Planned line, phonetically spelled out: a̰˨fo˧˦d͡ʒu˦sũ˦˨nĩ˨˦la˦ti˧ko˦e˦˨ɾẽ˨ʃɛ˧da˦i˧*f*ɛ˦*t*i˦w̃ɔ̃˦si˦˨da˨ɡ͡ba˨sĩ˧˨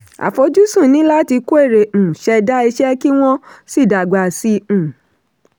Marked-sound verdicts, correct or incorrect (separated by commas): incorrect, incorrect